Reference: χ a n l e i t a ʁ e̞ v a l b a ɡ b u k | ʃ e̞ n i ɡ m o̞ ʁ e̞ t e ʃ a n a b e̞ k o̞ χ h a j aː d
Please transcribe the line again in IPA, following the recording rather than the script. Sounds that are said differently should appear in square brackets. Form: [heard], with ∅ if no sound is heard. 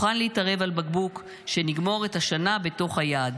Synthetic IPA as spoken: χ a n l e i t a ʁ e̞ v a l b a ɡ b u k | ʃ e̞ n i ɡ m o̞ ʁ e̞ t [a] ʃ a n a b e̞ [t] o̞ χ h a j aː d